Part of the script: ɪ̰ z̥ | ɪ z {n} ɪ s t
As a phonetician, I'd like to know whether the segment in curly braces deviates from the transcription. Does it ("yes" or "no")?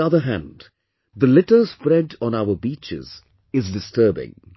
yes